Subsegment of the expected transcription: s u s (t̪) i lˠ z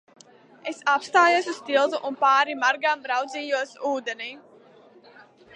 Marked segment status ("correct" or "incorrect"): correct